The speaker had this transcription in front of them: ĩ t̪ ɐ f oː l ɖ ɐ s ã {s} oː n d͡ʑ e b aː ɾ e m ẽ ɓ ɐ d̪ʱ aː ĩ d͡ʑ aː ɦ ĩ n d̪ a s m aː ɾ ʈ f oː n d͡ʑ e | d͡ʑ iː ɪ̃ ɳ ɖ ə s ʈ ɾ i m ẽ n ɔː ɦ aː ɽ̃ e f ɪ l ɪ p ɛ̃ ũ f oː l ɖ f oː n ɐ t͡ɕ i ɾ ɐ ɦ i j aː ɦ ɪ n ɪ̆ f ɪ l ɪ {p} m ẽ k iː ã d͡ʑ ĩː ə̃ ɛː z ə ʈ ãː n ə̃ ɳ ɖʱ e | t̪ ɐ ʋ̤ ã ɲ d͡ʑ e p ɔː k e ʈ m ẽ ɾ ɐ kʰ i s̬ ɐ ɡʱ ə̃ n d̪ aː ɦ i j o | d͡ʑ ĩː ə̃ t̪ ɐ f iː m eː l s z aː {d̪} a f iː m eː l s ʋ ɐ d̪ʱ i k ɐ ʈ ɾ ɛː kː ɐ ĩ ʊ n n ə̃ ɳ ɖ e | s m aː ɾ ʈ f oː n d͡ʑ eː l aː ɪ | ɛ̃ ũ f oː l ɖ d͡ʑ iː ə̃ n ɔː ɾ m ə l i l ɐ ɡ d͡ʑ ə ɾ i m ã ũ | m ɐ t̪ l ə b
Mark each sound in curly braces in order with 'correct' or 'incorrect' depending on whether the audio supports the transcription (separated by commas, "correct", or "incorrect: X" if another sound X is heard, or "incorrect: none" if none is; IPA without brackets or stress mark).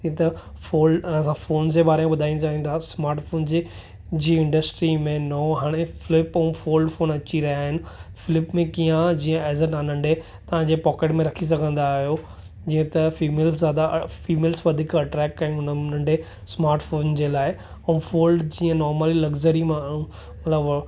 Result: incorrect: f, correct, correct